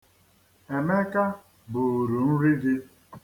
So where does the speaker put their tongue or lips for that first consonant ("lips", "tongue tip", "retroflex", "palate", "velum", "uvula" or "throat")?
lips